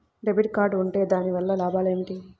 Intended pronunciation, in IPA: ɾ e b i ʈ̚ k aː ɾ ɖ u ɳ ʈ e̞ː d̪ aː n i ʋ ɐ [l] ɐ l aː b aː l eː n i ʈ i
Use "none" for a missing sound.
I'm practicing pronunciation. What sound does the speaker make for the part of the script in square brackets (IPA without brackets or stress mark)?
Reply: lː